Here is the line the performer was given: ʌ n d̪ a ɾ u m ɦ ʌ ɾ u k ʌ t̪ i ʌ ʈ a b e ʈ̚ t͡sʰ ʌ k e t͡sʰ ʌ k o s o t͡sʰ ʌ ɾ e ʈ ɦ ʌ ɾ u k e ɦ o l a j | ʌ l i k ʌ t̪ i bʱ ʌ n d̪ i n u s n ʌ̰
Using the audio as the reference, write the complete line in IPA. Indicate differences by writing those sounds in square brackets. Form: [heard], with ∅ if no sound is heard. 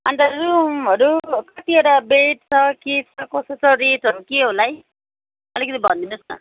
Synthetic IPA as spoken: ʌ n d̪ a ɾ u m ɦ ʌ ɾ u k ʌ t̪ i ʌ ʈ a b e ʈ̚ t͡sʰ ʌ k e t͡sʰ ʌ k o s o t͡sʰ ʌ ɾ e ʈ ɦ ʌ ɾ u k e ɦ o l a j | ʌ l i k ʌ t̪ i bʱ ʌ n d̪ i n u s n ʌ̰